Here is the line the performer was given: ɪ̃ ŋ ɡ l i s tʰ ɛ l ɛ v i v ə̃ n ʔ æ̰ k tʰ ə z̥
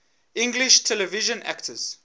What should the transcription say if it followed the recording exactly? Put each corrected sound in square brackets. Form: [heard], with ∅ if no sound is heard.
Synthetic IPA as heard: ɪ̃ ŋ ɡ l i [ʃ] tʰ ɛ l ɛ v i [ʒ] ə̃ n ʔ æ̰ k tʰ ə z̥